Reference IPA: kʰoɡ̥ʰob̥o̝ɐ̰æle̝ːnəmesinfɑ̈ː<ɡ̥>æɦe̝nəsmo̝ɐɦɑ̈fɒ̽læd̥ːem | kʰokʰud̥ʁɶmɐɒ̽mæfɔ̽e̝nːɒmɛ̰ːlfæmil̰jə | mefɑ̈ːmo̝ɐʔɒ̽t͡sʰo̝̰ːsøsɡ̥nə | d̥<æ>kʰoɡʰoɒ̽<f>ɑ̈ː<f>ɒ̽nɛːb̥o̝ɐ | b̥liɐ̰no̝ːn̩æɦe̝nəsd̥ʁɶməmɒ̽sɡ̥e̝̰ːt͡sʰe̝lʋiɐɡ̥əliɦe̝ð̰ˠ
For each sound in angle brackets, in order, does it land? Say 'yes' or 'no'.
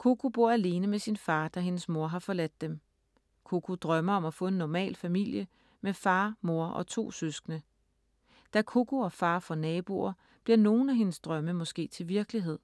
no, yes, yes, yes

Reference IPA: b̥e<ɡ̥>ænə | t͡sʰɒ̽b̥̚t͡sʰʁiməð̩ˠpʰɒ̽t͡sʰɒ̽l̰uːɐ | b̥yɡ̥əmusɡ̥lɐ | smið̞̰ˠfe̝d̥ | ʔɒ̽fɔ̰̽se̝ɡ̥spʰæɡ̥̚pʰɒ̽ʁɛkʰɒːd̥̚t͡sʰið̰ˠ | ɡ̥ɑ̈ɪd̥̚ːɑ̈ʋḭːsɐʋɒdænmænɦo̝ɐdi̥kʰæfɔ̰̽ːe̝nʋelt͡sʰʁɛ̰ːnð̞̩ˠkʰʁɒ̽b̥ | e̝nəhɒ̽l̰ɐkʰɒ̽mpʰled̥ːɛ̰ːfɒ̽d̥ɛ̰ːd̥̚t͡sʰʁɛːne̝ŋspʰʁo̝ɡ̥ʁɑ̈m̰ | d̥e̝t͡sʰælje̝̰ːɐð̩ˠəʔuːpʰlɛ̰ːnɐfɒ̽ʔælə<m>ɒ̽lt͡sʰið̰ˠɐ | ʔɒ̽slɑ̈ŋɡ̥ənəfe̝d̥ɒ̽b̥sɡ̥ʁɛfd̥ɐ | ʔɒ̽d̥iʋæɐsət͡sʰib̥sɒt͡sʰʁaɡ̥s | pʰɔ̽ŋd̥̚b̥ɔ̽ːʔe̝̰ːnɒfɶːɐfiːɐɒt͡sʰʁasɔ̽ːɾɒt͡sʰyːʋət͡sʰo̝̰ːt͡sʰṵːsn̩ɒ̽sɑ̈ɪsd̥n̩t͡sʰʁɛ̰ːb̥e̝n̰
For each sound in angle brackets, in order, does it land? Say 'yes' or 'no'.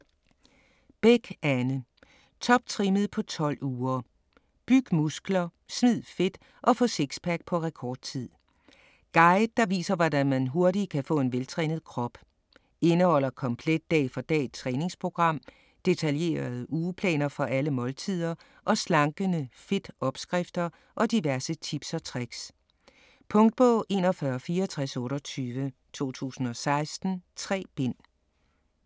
yes, yes

